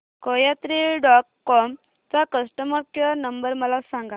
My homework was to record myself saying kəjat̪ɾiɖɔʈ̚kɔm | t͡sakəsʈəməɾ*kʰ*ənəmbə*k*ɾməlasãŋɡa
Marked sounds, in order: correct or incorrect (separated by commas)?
incorrect, incorrect